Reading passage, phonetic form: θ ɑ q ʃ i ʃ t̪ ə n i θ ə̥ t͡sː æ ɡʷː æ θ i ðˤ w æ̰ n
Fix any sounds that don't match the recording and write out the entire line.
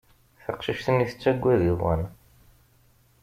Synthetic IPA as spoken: θ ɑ q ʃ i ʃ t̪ ə n i θ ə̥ t͡sː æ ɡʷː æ ð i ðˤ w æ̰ n